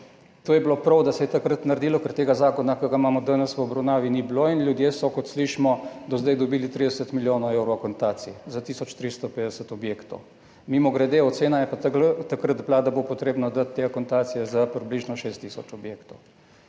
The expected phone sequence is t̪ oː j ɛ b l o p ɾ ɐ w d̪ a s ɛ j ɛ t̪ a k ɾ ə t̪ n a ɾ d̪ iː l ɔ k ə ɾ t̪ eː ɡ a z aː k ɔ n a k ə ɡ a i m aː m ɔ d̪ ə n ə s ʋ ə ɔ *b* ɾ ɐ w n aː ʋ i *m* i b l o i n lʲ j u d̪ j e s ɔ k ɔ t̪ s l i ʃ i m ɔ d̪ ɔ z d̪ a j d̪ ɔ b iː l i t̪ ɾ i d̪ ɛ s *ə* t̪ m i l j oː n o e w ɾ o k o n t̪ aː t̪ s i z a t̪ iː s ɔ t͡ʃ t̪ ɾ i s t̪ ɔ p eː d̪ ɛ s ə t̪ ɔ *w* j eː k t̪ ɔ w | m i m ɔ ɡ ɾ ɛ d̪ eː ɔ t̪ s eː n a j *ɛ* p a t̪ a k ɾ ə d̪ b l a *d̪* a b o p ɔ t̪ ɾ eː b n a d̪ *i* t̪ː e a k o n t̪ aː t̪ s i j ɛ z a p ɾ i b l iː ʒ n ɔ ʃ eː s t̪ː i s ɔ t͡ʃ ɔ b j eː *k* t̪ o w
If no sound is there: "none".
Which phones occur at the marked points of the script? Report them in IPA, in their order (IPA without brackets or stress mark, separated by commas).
b, n, ə, b, ɛ, d̪, a, k